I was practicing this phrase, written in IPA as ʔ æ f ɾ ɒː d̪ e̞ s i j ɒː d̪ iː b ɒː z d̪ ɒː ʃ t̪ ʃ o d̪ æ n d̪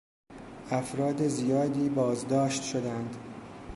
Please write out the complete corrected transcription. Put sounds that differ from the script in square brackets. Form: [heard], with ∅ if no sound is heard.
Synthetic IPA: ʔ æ f ɾ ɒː d̪ e̞ [z] i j ɒː d̪ iː b ɒː z d̪ ɒː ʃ t̪ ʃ o d̪ æ n d̪